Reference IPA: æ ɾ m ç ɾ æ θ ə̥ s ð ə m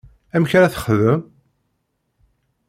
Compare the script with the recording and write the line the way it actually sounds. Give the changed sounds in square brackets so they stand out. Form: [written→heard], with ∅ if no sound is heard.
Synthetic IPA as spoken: æ [ɾ→∅] m ç ɾ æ θ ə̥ [s→χ] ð ə m